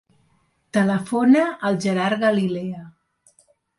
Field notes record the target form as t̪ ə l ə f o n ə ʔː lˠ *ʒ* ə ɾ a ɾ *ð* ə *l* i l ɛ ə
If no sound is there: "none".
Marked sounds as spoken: ʒ, ɣ, l

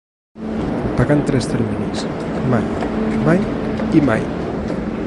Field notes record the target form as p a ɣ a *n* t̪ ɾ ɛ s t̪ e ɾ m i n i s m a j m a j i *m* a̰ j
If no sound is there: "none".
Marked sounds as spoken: n, m

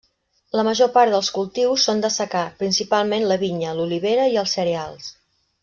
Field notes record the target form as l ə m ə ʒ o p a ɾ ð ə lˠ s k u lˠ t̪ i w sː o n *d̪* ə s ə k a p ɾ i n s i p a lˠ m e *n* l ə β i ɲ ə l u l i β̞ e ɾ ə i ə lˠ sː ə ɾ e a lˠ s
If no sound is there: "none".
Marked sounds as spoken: d̪, n

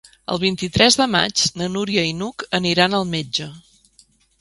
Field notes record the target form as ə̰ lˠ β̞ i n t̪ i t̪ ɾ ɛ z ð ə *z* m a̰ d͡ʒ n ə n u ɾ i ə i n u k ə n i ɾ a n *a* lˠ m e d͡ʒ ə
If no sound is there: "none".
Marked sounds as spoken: none, ə

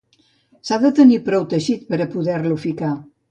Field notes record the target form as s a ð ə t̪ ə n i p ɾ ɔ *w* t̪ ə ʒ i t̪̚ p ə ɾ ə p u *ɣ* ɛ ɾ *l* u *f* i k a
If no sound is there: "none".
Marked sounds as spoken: w, ð, l, f

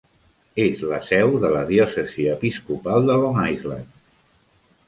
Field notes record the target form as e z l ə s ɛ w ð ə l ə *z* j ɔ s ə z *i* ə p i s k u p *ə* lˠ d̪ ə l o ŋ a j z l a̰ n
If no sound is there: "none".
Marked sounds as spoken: ð, i, a

